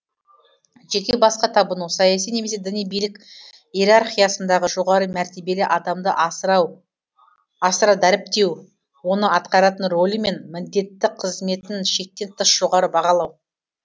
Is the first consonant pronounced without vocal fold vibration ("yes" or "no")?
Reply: no